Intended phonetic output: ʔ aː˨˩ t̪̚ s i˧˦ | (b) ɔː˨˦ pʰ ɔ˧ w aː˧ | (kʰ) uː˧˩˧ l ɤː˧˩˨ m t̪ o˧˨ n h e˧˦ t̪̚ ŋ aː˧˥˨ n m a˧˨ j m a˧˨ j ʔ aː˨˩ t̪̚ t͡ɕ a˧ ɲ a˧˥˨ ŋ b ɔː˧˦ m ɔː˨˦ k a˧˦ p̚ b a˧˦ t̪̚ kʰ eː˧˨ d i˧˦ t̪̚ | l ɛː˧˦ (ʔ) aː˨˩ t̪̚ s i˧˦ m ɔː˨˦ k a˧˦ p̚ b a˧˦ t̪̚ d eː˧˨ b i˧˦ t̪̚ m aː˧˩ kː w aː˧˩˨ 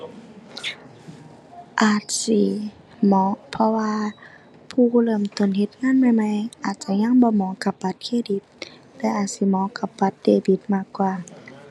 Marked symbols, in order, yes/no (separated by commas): no, no, yes